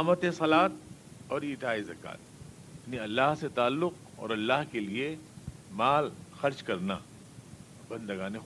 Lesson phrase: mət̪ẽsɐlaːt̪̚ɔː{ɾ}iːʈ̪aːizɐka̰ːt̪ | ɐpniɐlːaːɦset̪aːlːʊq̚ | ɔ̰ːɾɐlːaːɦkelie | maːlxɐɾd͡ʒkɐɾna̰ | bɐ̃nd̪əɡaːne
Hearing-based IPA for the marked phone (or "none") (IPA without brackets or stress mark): ɾ